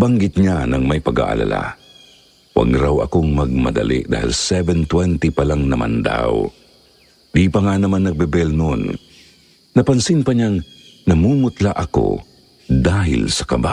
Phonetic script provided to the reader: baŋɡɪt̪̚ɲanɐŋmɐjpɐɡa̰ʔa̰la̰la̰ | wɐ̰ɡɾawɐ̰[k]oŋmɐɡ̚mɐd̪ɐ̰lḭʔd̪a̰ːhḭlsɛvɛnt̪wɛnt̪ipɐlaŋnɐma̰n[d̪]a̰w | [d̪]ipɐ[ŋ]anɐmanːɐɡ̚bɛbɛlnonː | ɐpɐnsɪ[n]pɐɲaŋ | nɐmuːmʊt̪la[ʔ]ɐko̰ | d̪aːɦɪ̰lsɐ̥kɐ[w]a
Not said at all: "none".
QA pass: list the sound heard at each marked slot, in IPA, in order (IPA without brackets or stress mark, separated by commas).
k, d̪, d̪, ŋ, n, ʔ, b